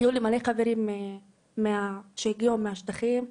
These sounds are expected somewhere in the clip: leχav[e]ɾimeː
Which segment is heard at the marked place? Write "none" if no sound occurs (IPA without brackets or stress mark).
e